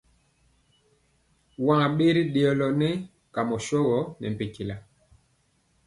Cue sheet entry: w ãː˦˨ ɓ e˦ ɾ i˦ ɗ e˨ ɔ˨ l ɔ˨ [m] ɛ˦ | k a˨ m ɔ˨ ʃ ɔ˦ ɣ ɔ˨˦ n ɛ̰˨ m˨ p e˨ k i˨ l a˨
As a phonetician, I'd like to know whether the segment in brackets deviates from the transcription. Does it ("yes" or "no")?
yes